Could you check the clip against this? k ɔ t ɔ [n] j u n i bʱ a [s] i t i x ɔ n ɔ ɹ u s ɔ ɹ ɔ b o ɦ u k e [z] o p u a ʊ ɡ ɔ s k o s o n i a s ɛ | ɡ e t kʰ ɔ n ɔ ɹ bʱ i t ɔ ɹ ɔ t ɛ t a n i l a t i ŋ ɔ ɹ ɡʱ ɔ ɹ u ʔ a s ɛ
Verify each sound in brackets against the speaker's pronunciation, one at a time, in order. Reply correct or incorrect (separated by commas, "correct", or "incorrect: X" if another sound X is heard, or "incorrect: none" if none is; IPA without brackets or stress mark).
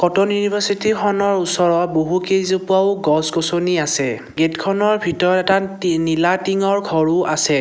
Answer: correct, correct, correct